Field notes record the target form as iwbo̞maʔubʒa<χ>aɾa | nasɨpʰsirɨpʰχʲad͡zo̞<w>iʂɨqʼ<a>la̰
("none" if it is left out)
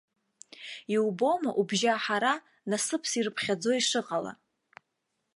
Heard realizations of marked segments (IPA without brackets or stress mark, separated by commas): ħ, none, a